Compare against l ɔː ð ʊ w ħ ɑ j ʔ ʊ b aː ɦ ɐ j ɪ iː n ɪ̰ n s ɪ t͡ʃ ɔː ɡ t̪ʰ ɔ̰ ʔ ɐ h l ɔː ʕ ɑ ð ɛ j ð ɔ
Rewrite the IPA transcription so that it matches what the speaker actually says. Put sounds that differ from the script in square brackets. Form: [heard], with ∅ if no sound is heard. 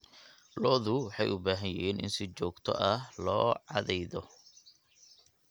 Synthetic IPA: l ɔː ð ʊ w ħ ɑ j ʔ ʊ b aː ɦ ɐ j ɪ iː n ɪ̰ n s ɪ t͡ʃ ɔː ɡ t̪ʰ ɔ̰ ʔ ɐ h l ɔː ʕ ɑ ð ɛ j ð ɔ